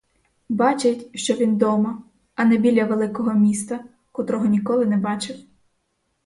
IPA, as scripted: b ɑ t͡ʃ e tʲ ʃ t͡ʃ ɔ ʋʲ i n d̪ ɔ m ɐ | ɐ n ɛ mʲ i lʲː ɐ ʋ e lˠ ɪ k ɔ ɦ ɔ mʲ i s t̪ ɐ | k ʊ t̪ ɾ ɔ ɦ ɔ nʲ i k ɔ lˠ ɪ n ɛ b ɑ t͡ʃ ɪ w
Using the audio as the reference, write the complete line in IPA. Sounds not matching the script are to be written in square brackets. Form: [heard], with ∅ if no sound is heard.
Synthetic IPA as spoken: b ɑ t͡ʃ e tʲ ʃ t͡ʃ ɔ ʋʲ i n d̪ ɔ m ɐ | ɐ n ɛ [bʲ] i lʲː ɐ ʋ e lˠ ɪ k ɔ ɦ ɔ mʲ i s t̪ ɐ | k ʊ t̪ ɾ ɔ ɦ ɔ nʲ i k ɔ lˠ ɪ n ɛ b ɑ t͡ʃ ɪ w

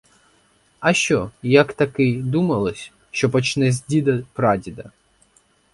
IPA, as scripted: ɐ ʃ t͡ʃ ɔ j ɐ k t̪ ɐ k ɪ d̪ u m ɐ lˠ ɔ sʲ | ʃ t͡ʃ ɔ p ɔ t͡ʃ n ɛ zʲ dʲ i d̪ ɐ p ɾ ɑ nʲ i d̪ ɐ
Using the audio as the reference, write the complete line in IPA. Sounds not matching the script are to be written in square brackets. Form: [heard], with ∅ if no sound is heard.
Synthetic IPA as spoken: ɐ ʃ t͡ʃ ɔ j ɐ k t̪ ɐ k ɪ d̪ u m ɐ lˠ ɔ sʲ | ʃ t͡ʃ ɔ p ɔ t͡ʃ n ɛ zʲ dʲ i d̪ ɐ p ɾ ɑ [dʲ] i d̪ ɐ

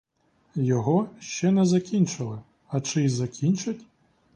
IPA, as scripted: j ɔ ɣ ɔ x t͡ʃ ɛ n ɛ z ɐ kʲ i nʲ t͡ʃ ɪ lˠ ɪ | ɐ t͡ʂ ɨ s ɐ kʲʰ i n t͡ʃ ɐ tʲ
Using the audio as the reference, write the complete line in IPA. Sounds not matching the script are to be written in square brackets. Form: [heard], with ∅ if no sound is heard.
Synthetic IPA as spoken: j ɔ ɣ ɔ [ʃ] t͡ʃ ɛ n ɛ z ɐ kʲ i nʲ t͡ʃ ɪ lˠ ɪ | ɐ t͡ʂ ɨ [z] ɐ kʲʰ i n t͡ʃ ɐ tʲ

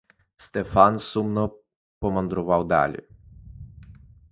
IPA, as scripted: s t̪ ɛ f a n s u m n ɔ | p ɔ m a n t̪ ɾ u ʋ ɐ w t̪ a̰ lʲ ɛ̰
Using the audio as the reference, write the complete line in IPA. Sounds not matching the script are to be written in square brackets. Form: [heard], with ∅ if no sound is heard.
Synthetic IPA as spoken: s t̪ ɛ f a n s u m n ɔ | p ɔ m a n [d̪] ɾ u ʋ [a] w [d̪] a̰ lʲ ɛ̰

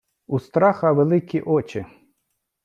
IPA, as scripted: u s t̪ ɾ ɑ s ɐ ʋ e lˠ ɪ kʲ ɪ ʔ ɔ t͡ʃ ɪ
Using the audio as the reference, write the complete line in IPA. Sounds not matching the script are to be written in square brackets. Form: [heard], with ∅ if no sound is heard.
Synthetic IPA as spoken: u s t̪ ɾ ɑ [x] ɐ ʋ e lˠ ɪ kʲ [i] ʔ ɔ t͡ʃ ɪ

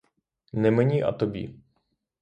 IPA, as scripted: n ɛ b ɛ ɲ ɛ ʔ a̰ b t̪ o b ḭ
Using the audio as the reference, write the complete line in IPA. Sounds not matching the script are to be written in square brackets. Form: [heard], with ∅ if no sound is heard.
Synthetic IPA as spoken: n ɛ [m] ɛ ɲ [i] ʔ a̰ [∅] t̪ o b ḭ

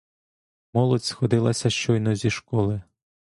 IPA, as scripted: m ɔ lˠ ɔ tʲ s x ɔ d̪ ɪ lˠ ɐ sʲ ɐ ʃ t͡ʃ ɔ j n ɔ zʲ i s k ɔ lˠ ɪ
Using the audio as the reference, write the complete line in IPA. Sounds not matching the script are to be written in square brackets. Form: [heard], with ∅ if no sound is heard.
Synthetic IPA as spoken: m ɔ lˠ ɔ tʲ s x ɔ d̪ ɪ lˠ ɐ sʲ ɐ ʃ t͡ʃ ɔ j n ɔ zʲ i [ʃ] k ɔ lˠ ɪ

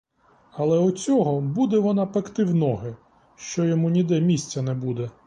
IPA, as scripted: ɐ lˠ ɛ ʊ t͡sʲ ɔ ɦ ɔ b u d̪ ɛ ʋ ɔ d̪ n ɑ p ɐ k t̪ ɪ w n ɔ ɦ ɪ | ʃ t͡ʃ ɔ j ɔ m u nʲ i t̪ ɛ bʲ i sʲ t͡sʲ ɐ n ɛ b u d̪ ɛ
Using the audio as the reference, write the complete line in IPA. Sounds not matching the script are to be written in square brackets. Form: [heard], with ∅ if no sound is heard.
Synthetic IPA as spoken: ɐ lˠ ɛ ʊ t͡sʲ ɔ ɦ ɔ b u d̪ ɛ ʋ ɔ [∅] n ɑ p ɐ k t̪ ɪ w n ɔ ɦ ɪ | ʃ t͡ʃ ɔ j ɔ m u nʲ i [d̪] ɛ [mʲ] i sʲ t͡sʲ ɐ n ɛ b u d̪ ɛ

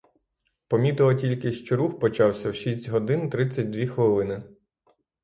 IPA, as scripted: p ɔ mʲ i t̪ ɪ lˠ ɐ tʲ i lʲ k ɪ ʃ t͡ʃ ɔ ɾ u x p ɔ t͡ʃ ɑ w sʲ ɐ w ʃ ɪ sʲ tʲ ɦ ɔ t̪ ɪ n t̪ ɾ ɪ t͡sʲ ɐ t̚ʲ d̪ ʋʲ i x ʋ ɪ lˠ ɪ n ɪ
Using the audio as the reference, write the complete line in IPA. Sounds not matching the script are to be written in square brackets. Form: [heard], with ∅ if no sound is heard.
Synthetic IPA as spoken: p ɔ mʲ i t̪ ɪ lˠ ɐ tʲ i lʲ k ɪ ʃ t͡ʃ ɔ ɾ u x p ɔ t͡ʃ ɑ w sʲ ɐ w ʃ [i] sʲ tʲ ɦ ɔ [d̪] ɪ n t̪ ɾ ɪ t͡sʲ ɐ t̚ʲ d̪ ʋʲ i x ʋ ɪ lˠ ɪ n ɪ

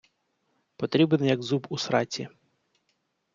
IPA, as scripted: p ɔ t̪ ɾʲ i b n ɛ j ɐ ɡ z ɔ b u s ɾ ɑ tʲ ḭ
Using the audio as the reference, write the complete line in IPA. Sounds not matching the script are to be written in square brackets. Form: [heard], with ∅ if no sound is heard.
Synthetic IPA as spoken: p ɔ t̪ ɾʲ i b n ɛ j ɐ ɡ z [u] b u s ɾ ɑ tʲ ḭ

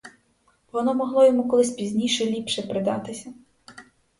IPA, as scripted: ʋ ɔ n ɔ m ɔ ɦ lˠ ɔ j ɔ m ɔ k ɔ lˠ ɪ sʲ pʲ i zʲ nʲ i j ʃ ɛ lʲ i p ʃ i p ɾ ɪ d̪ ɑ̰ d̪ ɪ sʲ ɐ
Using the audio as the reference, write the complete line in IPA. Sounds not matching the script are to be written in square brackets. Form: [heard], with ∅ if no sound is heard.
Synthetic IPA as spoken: ʋ ɔ n ɔ m ɔ ɦ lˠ ɔ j ɔ m [u] k ɔ lˠ ɪ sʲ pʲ i zʲ nʲ i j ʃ ɛ lʲ i p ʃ [ɛ] p ɾ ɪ d̪ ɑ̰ [t̪] ɪ sʲ ɐ

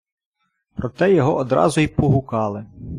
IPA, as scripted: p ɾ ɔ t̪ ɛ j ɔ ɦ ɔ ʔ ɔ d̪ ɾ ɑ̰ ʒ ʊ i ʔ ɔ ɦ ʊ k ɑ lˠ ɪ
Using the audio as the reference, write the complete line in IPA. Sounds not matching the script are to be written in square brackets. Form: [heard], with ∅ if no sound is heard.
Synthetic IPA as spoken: p ɾ ɔ t̪ ɛ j ɔ ɦ ɔ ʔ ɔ d̪ ɾ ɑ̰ [z] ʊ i [p] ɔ ɦ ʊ k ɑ lˠ ɪ

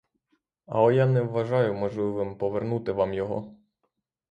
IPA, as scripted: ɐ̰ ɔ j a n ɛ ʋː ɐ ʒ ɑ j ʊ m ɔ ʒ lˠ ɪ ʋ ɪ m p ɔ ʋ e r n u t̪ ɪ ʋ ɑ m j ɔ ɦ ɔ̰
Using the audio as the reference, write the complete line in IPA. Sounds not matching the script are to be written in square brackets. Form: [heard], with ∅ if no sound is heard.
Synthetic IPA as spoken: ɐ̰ ɔ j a n ɛ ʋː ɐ ʒ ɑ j ʊ m ɔ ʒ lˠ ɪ ʋ ɪ m p ɔ ʋ e r n u t̪ ɪ ʋ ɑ m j ɔ ɦ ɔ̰

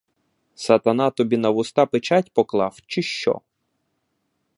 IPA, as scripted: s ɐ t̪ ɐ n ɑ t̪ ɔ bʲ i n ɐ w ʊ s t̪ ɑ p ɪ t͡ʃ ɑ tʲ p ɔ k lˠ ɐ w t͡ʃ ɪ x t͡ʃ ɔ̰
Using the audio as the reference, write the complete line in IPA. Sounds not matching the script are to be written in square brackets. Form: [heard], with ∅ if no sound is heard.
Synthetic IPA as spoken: s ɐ t̪ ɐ n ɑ t̪ ɔ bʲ i n ɐ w ʊ s t̪ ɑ p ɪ t͡ʃ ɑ tʲ p ɔ k lˠ [ɑ] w t͡ʃ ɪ [ʃ] t͡ʃ ɔ̰

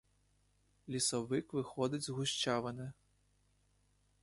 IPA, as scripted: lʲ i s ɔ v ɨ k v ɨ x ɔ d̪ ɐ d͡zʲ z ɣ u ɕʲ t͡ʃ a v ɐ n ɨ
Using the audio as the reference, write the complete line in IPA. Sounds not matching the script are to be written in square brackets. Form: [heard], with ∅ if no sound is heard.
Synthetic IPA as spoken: lʲ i s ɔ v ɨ k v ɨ x ɔ d̪ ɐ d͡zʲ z ɣ u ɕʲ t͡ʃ a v ɐ n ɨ

